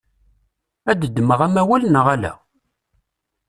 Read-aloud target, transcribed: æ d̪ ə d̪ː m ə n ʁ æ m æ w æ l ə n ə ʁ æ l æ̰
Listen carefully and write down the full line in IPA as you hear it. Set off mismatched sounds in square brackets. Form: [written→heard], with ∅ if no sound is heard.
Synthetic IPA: æ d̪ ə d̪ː m ə [n→∅] ʁ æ m æ w æ l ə n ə ʁ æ l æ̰